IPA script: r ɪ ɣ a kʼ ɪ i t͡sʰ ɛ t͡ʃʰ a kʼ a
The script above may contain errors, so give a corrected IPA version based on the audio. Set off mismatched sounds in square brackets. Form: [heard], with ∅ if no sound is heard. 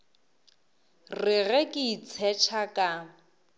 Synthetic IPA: r ɪ ɣ [ɛ] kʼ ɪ i t͡sʰ ɛ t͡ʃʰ a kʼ a